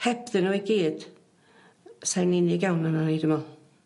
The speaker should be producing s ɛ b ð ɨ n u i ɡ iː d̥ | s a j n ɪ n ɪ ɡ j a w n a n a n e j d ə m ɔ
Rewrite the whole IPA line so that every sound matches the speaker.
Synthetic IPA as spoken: h ɛ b ð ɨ n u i ɡ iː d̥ | s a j n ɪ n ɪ ɡ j a w n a n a n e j d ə m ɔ